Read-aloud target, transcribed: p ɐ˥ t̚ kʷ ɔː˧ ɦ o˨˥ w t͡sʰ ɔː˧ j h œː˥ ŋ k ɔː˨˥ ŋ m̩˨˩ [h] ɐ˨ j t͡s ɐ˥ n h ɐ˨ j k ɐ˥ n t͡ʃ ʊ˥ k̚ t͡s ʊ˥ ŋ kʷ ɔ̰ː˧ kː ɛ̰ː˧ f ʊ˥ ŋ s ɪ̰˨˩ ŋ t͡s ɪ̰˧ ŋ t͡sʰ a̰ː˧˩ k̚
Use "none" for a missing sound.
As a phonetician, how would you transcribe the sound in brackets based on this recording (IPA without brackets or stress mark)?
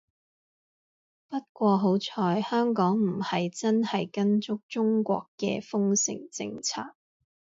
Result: h